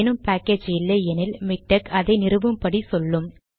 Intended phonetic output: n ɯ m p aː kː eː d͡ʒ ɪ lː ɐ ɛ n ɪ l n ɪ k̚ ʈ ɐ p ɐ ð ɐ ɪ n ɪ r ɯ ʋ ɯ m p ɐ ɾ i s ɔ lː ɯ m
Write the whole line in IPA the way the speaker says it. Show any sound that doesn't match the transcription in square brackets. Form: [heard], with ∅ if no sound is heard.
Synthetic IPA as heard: n ɯ m p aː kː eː d͡ʒ ɪ lː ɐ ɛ n ɪ l [m] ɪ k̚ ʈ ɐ [k] ɐ ð ɐ ɪ n ɪ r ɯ ʋ ɯ m p ɐ [ɽ] i s ɔ lː ɯ m